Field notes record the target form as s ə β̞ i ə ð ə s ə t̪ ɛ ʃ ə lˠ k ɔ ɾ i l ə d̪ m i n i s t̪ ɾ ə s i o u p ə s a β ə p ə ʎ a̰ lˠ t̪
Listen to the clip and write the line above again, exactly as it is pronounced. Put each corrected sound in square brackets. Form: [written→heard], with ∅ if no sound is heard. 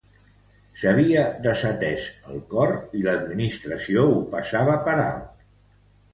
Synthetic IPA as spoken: s ə β̞ i ə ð ə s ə t̪ ɛ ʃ ə lˠ k ɔ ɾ i l ə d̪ m i n i s t̪ ɾ ə s i o u p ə s a β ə p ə [ʎ→ɾ] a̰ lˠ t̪